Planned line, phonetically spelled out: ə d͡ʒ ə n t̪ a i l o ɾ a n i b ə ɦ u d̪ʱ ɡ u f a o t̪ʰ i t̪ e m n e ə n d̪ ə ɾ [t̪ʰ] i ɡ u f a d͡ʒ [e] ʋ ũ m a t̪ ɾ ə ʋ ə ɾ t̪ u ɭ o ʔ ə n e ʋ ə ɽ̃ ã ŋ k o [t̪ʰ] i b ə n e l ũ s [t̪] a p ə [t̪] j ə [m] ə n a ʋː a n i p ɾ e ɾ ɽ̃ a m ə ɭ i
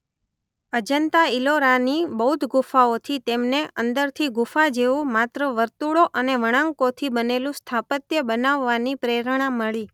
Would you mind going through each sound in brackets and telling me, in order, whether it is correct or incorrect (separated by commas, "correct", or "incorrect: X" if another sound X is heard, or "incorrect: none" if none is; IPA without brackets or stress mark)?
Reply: correct, correct, correct, incorrect: t̪ʰ, correct, incorrect: b